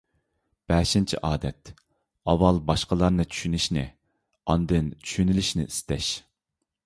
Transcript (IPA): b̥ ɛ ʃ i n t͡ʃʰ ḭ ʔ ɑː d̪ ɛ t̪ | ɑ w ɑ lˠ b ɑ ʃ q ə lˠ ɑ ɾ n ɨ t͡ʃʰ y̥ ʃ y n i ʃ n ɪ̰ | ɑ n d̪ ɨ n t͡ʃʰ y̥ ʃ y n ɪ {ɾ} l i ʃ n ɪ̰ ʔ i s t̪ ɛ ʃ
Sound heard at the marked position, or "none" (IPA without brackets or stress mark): none